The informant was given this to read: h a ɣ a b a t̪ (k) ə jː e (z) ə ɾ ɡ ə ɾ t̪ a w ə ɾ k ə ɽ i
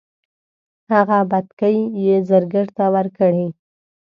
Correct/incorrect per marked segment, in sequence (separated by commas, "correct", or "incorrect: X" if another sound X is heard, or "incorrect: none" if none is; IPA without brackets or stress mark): correct, correct